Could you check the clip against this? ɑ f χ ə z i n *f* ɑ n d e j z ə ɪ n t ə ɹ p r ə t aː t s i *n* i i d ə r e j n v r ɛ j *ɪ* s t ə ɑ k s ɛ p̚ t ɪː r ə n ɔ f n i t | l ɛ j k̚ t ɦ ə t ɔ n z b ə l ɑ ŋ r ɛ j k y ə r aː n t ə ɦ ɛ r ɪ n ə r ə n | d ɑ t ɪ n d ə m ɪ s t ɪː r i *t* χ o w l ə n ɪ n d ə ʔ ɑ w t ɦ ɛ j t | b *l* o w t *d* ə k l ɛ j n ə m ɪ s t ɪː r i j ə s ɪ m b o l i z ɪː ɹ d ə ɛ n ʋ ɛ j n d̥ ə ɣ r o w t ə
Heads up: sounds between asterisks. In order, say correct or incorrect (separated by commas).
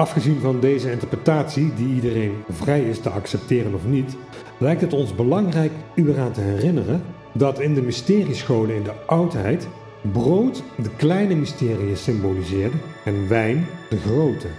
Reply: incorrect, incorrect, correct, incorrect, incorrect, correct